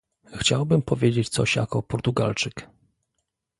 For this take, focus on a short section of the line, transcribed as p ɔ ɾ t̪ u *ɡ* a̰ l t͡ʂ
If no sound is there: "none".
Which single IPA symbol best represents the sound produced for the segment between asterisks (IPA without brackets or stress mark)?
ɡ